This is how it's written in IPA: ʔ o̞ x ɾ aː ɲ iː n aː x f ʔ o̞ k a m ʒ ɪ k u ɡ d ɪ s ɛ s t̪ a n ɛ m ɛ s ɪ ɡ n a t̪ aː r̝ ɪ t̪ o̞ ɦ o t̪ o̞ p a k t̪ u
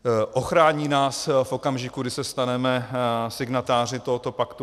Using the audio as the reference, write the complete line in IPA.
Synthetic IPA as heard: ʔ o̞ x ɾ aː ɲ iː n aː s f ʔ o̞ k a m ʒ ɪ k u ɡ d ɪ s ɛ s t̪ a n ɛ m ɛ s ɪ ɡ n a t̪ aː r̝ ɪ t̪ o̞ ɦ o t̪ o̞ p a k t̪ u